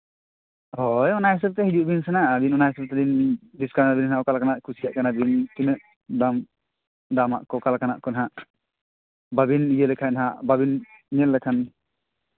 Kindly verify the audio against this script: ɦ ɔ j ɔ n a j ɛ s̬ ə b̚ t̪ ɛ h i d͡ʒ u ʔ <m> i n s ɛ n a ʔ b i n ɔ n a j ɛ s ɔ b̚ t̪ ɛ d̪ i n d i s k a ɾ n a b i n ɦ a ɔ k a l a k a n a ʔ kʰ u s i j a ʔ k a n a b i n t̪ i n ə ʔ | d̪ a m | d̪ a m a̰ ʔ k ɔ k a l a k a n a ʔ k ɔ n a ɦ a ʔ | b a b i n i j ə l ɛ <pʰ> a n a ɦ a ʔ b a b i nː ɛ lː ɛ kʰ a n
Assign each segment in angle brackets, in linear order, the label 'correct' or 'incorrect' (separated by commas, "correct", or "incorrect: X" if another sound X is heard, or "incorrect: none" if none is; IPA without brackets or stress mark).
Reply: incorrect: b, incorrect: kʰ